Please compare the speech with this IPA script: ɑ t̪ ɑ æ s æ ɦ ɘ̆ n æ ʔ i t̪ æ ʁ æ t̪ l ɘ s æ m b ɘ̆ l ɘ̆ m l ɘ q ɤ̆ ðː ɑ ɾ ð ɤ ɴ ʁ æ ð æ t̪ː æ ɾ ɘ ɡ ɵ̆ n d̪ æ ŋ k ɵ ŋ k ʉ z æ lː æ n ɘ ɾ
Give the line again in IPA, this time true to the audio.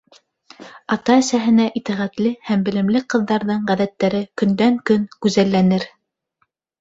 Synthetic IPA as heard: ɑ t̪ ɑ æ s æ ɦ ɘ̆ n æ ʔ i t̪ æ ʁ æ t̪ l ɘ h æ m b ɘ̆ l ɘ̆ m l ɘ q ɤ̆ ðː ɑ ɾ ð ɤ ɴ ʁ æ ð æ t̪ː æ ɾ ɘ k ɵ̆ n d̪ æ ŋ k ɵ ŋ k ʉ z æ lː æ n ɘ ɾ